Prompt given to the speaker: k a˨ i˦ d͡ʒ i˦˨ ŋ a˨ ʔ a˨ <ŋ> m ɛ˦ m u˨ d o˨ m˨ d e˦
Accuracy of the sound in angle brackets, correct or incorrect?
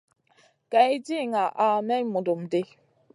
incorrect